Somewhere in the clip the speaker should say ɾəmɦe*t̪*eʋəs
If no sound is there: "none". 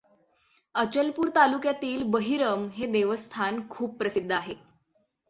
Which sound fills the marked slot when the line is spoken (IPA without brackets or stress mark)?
d̪